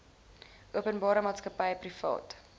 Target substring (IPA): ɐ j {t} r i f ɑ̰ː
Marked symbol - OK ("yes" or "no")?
no